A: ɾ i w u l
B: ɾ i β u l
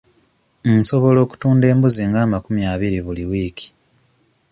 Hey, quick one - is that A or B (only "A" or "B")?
B